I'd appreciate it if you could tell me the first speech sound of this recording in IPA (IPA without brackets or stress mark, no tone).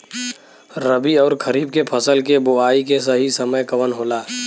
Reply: ɾ